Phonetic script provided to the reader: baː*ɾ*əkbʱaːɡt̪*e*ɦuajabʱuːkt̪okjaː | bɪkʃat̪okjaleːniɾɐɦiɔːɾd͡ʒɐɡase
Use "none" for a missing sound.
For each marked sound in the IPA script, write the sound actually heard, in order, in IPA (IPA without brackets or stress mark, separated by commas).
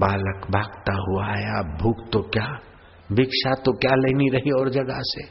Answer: l, a